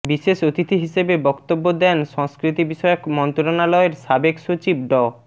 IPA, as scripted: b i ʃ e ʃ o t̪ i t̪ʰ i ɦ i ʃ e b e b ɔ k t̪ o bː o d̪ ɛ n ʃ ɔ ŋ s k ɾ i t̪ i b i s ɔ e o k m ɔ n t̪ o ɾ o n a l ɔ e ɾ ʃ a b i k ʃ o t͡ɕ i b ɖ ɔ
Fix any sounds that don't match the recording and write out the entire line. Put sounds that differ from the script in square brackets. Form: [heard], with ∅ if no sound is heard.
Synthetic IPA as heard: b i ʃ e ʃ o t̪ i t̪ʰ i ɦ i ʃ e b e b ɔ k t̪ o bː o d̪ ɛ n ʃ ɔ ŋ s k ɾ i t̪ i b i [ʃ] ɔ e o k m ɔ n t̪ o ɾ o n a l ɔ e ɾ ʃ a b [e] k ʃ o t͡ɕ i b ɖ ɔ